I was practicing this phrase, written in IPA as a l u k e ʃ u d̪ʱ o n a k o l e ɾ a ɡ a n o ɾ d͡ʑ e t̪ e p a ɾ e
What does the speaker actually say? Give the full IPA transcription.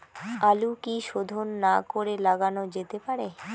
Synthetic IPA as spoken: a l u k i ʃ o d̪ʱ o nː a k o ɾ e l a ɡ a n o d͡ʑ e t̪ e p a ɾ e